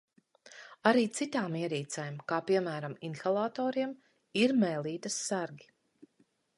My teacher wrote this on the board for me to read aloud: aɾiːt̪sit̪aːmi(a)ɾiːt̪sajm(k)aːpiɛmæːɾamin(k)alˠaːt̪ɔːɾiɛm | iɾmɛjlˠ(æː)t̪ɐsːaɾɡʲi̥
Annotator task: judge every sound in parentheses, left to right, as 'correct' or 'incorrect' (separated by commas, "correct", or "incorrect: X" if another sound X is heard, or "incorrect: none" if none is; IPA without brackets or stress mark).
incorrect: ɛ, correct, incorrect: x, incorrect: iː